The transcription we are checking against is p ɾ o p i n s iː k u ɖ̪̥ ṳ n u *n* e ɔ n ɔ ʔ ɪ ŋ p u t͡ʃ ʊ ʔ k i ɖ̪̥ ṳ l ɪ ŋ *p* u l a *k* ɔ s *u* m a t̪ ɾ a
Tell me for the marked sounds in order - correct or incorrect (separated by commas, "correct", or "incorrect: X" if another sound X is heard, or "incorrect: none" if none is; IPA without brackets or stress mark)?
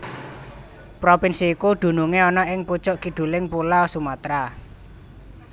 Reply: incorrect: ŋ, correct, incorrect: none, correct